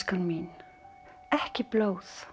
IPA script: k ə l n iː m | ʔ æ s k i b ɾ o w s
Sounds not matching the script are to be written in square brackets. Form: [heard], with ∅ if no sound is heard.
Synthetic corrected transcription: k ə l [m] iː [n] | ʔ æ [ħ] k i b [l] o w [θ]